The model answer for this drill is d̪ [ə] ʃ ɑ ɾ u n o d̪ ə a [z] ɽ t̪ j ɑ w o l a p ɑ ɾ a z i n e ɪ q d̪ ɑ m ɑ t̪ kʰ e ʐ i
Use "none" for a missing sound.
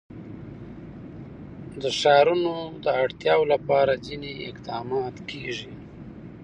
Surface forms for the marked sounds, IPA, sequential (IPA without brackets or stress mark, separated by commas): ə, none